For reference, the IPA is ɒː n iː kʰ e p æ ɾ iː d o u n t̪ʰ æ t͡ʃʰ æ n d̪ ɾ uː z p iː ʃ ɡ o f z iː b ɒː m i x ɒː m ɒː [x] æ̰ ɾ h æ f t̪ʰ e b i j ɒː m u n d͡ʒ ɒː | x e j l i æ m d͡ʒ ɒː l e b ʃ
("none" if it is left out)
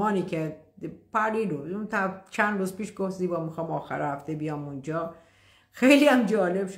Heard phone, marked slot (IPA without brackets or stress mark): x